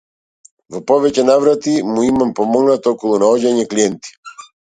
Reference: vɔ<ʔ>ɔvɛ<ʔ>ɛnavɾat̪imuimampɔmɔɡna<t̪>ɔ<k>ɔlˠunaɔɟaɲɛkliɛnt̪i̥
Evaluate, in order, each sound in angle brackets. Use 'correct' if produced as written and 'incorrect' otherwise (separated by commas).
incorrect, incorrect, correct, correct